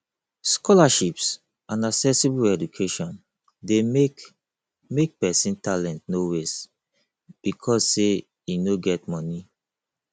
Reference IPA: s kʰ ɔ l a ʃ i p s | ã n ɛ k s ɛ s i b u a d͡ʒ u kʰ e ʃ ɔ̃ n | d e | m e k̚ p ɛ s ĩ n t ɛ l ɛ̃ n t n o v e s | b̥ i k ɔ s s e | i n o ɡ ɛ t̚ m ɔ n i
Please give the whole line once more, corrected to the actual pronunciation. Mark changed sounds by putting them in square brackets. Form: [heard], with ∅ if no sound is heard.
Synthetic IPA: s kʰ ɔ l a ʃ i p s | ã n [a] k s ɛ s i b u [ɛ] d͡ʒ u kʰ e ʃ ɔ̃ n | d e | m e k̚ p ɛ s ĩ n t [a] l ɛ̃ n t n o [w] e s | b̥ i [kʰ] ɔ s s e | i n o ɡ ɛ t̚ m ɔ n i